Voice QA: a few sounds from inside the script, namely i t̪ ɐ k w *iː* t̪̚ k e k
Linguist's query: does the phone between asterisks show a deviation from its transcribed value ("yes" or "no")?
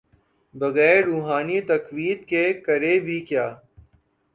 no